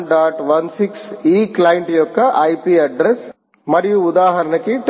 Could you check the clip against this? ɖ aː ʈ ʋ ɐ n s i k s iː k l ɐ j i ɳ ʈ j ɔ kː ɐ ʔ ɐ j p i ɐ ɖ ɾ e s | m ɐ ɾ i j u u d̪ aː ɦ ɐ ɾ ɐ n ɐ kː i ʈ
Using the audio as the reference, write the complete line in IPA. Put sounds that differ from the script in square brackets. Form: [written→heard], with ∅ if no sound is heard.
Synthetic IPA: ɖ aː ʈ ʋ ɐ n s i k s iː k l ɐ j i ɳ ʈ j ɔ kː ɐ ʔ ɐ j p i ɐ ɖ ɾ e s | m ɐ ɾ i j u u d̪ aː ɦ ɐ ɾ ɐ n ɐ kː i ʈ